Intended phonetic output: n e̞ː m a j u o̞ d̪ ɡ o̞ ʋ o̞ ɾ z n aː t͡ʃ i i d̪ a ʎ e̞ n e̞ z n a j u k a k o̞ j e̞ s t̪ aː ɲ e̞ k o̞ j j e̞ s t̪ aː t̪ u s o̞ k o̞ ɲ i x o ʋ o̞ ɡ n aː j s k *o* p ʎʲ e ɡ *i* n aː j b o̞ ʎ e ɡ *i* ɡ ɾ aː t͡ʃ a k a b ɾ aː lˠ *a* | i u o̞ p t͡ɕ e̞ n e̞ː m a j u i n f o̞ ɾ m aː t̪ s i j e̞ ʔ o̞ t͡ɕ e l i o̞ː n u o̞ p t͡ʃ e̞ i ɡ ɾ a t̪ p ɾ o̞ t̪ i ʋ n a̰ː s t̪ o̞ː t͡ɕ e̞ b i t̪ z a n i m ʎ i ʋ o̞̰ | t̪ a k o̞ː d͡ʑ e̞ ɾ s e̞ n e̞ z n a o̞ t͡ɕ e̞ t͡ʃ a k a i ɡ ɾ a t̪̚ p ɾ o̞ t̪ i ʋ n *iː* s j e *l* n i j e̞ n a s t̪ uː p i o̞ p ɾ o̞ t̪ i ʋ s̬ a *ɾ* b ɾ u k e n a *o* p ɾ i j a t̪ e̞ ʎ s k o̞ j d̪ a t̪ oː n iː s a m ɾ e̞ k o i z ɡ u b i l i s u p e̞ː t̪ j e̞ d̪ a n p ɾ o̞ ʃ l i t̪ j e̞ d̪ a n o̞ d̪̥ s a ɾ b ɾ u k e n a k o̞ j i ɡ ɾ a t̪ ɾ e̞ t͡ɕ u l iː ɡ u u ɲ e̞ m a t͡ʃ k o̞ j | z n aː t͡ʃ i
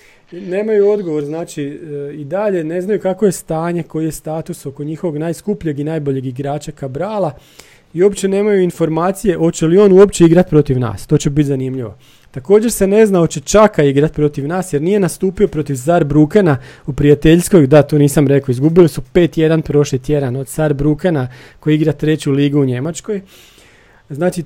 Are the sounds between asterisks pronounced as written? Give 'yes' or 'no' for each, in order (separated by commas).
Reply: no, yes, yes, yes, no, no, yes, no